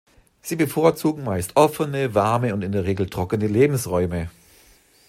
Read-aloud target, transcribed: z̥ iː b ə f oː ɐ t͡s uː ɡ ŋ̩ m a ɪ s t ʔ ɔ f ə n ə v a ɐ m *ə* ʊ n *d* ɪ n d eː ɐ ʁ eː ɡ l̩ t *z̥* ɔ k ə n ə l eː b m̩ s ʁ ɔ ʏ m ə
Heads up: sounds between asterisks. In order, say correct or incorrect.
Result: correct, incorrect, incorrect

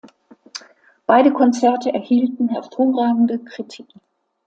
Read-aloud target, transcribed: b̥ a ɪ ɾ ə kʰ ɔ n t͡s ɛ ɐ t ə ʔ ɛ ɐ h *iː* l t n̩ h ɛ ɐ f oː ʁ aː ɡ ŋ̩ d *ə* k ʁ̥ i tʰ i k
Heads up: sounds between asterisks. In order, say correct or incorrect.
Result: correct, correct

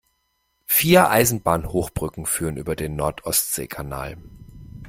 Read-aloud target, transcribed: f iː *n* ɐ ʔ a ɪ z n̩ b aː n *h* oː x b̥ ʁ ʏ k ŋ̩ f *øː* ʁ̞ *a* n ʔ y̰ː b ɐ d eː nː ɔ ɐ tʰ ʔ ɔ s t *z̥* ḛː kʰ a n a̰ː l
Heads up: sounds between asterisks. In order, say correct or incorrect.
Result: incorrect, correct, incorrect, incorrect, correct

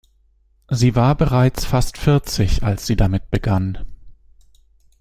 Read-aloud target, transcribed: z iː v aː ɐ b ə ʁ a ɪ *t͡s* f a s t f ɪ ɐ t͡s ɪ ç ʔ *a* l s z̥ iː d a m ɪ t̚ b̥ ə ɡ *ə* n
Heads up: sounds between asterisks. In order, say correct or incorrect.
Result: correct, correct, incorrect

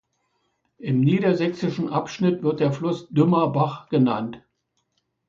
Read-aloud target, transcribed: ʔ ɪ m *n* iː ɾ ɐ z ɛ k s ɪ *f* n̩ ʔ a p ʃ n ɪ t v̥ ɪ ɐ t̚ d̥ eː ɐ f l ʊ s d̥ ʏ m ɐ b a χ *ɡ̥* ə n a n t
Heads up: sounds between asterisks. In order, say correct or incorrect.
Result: correct, incorrect, correct

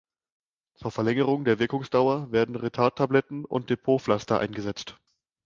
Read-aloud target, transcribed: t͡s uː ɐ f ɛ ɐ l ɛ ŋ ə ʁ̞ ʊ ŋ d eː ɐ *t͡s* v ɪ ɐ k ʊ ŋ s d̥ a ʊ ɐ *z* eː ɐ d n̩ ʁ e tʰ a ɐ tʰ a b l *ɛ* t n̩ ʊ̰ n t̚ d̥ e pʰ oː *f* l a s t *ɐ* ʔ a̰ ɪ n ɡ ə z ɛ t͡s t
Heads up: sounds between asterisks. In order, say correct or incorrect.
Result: incorrect, incorrect, correct, correct, correct

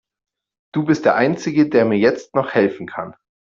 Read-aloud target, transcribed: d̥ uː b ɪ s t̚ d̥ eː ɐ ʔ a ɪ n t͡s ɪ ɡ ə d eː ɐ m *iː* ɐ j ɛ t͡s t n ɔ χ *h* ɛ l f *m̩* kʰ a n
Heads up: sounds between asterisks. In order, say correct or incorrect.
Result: correct, correct, incorrect

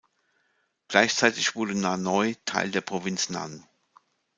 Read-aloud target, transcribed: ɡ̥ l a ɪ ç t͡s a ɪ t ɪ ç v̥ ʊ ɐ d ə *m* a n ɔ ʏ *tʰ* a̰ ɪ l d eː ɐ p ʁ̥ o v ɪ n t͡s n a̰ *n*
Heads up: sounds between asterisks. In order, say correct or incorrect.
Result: incorrect, correct, correct

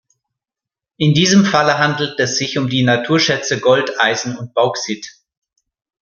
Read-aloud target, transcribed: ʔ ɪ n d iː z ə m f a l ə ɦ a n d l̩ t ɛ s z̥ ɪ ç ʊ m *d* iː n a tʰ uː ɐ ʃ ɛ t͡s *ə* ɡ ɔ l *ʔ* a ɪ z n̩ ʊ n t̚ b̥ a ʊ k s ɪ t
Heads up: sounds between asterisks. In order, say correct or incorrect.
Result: correct, correct, incorrect

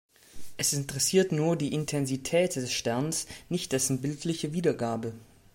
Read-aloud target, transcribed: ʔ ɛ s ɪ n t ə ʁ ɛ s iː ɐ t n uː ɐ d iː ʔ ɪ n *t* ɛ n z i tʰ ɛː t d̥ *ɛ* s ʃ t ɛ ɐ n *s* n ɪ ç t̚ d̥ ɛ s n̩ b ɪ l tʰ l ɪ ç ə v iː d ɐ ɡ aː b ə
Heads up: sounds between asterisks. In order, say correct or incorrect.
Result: incorrect, correct, correct

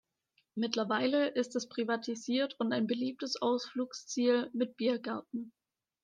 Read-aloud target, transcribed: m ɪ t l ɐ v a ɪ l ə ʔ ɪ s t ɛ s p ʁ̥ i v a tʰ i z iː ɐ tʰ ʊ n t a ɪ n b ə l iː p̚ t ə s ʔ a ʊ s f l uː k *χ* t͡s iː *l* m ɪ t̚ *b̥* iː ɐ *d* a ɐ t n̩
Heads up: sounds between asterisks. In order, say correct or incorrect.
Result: incorrect, correct, correct, incorrect

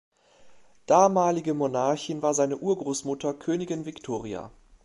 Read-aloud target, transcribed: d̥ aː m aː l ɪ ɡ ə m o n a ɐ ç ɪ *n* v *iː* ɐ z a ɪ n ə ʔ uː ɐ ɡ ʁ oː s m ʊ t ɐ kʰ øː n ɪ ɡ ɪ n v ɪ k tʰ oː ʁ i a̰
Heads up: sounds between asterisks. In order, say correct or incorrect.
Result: correct, incorrect

